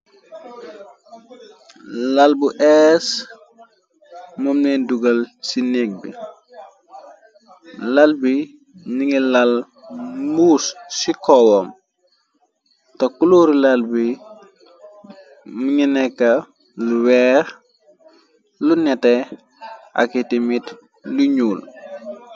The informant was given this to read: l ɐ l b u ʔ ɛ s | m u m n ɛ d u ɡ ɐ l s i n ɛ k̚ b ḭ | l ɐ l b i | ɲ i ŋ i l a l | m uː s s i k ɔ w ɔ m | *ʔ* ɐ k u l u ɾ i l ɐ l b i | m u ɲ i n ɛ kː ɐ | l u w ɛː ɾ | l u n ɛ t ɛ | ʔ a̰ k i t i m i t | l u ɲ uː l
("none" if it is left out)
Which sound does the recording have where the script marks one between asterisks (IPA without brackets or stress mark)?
t